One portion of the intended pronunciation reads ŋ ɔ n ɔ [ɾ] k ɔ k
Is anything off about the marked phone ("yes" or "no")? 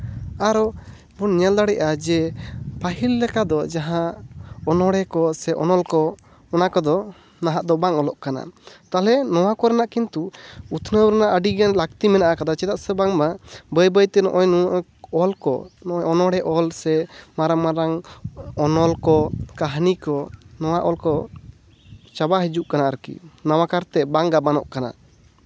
yes